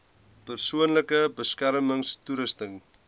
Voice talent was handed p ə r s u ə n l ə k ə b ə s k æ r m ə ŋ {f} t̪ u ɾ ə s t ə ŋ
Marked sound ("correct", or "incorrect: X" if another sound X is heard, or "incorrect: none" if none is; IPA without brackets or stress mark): incorrect: s